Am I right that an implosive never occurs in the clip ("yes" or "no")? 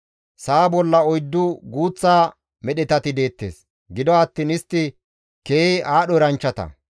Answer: no